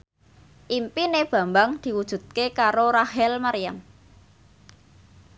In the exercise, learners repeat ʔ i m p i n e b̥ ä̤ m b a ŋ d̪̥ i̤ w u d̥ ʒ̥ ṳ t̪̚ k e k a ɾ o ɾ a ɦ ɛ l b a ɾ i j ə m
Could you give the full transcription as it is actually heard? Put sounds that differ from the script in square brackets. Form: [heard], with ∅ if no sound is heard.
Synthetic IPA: ʔ i m p i n e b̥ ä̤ m b a ŋ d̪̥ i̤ w u d̥ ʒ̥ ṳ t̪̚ k e k a ɾ o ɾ a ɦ ɛ l [m] a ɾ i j [a] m